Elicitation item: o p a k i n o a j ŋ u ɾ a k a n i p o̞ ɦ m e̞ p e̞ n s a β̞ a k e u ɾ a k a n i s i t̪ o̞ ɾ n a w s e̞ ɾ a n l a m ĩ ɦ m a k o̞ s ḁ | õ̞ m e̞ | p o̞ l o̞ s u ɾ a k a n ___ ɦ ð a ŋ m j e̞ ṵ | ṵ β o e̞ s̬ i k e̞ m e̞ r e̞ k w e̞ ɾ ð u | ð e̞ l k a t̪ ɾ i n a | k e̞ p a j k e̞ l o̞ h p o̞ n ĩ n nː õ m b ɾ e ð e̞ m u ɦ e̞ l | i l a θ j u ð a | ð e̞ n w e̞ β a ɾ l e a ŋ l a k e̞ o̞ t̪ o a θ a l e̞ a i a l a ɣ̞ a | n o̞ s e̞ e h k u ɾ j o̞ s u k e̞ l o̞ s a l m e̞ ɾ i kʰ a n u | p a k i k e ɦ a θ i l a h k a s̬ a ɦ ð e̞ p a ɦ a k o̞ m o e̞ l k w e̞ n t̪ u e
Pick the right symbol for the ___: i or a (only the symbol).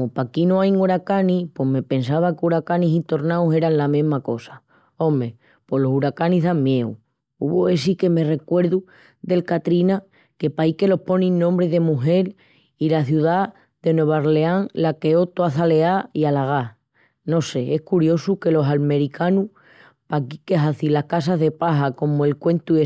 i